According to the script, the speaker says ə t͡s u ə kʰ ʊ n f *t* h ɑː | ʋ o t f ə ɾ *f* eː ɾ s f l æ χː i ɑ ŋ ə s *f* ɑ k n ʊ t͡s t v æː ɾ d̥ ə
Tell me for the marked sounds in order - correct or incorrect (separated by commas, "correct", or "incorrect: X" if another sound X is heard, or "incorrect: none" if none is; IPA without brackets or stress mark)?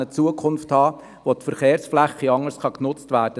correct, incorrect: χ, incorrect: χ